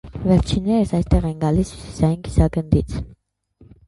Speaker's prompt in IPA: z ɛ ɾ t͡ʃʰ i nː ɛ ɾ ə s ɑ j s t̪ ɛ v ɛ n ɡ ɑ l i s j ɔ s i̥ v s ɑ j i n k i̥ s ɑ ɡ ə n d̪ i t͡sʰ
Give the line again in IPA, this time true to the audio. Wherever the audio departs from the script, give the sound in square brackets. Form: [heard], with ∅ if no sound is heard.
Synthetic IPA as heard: [v] ɛ ɾ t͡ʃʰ i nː ɛ ɾ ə s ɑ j s t̪ ɛ [ʁ] ɛ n ɡ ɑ l i s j [u] s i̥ [∅] s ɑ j i n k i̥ s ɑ ɡ ə n d̪ i t͡sʰ